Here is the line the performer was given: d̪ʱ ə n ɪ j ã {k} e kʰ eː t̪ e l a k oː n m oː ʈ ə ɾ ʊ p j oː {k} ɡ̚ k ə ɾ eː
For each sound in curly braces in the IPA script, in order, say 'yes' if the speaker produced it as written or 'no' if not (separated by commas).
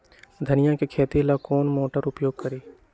yes, no